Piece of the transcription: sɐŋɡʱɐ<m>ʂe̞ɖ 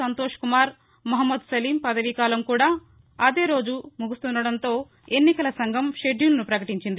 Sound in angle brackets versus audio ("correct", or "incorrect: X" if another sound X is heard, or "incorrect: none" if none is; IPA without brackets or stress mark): correct